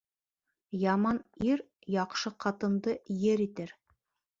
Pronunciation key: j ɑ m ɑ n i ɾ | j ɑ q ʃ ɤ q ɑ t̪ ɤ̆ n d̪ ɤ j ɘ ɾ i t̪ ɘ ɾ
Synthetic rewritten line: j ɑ m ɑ n i ɾ | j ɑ q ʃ ɤ q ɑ t̪ ɤ̆ n d̪ ɤ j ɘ ɾ i t̪ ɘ ɾ